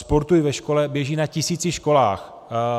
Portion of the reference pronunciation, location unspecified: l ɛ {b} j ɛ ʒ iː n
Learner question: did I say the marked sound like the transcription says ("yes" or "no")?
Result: yes